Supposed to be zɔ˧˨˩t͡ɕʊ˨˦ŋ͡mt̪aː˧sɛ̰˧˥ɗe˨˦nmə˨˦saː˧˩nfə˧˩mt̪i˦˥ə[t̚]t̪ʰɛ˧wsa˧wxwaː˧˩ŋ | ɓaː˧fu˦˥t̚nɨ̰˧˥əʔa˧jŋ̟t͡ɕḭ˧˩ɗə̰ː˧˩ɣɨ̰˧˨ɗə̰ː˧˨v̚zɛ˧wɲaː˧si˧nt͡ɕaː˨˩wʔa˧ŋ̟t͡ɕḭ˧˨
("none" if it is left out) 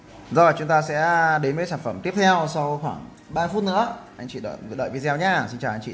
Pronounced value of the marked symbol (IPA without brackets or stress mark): p̚